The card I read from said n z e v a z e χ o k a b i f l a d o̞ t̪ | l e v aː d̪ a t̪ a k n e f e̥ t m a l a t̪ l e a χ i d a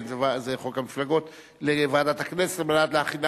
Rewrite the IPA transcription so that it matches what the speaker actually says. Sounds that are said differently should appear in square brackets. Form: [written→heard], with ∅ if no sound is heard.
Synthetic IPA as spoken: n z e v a z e χ o k a [b→m] i f l a [d→ɡ] o̞ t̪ | l e v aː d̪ a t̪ a k n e [f→s] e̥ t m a l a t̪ l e a χ i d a